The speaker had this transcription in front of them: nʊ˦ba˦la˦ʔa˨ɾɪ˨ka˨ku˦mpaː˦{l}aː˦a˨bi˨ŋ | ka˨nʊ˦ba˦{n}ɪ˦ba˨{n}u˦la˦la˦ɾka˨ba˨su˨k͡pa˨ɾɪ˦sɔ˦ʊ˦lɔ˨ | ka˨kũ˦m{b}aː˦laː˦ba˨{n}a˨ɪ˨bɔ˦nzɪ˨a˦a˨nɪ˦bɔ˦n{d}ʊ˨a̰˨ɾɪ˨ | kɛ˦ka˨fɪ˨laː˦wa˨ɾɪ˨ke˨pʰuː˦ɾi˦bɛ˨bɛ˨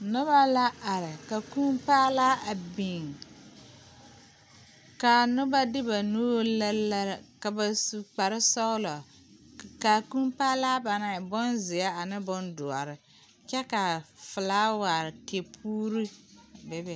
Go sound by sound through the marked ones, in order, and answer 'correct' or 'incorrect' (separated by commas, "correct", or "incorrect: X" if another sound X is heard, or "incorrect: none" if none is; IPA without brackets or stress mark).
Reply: correct, incorrect: d, correct, incorrect: p, correct, correct